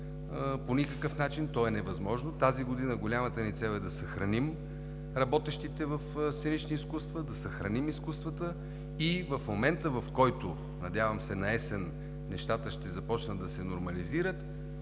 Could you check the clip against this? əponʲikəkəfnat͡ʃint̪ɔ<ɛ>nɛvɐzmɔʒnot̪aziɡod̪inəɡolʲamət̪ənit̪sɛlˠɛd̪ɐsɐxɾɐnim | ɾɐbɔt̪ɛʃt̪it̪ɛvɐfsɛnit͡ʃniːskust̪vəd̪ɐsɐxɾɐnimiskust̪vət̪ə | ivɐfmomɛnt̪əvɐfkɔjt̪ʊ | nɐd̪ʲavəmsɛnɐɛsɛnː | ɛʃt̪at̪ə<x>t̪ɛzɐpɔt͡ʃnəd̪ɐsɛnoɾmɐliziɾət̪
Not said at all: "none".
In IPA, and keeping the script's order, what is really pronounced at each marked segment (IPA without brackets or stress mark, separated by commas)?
ɛ, ʃ